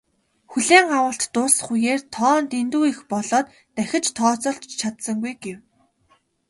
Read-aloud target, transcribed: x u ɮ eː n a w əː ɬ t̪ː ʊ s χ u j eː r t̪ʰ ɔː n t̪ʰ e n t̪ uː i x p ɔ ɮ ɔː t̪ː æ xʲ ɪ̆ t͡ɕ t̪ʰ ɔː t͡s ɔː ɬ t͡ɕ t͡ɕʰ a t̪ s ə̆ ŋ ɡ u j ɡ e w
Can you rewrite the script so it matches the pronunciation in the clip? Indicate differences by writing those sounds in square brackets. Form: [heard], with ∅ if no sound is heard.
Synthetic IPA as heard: x u ɮ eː [ŋ] a w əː ɬ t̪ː ʊ s χ u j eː r t̪ʰ ɔː n [t̪] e n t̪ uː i x p ɔ ɮ ɔː t̪ː æ xʲ ɪ̆ t͡ɕ t̪ʰ ɔː t͡s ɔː ɬ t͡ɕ t͡ɕʰ a t̪ s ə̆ ŋ ɡ u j ɡ e w

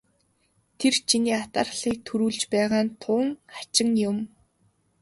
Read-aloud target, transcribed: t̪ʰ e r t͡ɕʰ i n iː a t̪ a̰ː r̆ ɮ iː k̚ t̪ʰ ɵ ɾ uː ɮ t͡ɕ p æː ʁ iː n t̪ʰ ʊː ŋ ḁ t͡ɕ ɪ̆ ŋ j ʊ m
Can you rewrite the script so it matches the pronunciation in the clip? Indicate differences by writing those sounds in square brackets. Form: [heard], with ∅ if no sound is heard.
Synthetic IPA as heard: t̪ʰ e r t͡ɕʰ i n iː a t̪ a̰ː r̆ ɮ iː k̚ t̪ʰ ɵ ɾ uː ɮ t͡ɕ p æː ʁ [aː] n t̪ʰ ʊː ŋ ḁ t͡ɕ ɪ̆ ŋ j ʊ m

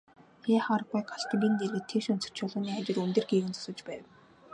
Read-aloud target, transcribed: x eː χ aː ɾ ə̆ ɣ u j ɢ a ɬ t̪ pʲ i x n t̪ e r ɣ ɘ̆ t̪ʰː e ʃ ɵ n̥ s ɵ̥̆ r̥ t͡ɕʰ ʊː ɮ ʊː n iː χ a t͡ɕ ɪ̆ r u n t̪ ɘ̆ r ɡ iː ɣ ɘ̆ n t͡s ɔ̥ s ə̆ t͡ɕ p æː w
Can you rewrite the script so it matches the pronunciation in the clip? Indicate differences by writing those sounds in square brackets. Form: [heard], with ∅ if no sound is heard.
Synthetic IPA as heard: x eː χ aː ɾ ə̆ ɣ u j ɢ a ɬ t̪ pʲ i [∅] n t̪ e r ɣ ɘ̆ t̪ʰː e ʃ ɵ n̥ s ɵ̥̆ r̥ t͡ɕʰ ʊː ɮ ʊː n iː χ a t͡ɕ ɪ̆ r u n t̪ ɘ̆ r ɡ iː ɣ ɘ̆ n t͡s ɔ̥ s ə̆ t͡ɕ p æː w

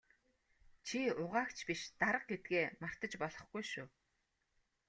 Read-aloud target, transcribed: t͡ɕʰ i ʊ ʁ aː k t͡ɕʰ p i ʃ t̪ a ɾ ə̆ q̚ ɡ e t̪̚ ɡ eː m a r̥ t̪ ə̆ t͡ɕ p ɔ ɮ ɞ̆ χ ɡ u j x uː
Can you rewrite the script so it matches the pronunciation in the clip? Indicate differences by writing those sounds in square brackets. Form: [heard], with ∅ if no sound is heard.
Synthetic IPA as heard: t͡ɕʰ i ʊ ʁ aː k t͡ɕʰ p i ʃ t̪ a ɾ ə̆ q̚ ɡ e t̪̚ ɡ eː m a r̥ t̪ ə̆ t͡ɕ p ɔ ɮ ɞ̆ χ ɡ u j [ʃ] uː

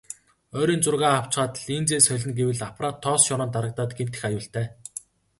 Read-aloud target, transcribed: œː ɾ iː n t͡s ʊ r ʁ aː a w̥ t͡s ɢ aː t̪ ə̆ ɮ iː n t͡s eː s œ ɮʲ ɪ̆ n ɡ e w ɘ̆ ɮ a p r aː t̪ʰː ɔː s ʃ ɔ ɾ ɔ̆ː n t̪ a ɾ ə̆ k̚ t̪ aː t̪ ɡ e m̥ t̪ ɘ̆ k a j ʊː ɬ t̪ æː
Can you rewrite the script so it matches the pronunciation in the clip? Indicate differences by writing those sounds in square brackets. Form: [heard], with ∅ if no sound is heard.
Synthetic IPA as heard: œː ɾ iː n t͡s ʊ r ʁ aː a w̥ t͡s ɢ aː t̪ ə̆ ɮ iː n t͡s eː s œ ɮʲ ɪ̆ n ɡ e w ɘ̆ ɮ a p r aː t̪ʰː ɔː s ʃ ɔ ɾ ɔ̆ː n t̪ a ɾ ə̆ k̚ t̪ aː t̪ ɡ e m̥ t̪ ɘ̆ [x] a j ʊː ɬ t̪ æː

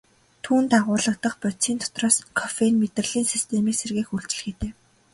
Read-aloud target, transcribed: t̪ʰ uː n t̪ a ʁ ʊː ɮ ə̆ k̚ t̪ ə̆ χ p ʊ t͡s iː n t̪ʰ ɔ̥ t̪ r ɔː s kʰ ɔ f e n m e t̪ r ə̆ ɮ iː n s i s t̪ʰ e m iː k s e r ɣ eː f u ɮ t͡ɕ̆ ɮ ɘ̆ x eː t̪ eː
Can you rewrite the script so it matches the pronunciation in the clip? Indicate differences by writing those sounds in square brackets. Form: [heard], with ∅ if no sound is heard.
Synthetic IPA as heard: t̪ʰ uː n t̪ a ʁ ʊː ɮ ə̆ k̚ t̪ ə̆ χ p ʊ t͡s iː n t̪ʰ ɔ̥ t̪ r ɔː s kʰ ɔ f e n m e t̪ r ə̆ ɮ iː n s i s t̪ʰ e m iː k s e r ɣ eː [x] u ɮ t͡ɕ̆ ɮ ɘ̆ x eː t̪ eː

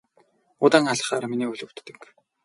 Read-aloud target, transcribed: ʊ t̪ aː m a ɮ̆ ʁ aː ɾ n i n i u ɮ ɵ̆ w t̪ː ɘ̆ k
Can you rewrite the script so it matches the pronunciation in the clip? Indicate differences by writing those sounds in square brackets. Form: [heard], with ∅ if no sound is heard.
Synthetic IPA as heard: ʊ t̪ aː [ŋ] a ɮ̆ [χ] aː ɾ [m] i n [iː] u ɮ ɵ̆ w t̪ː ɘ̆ k

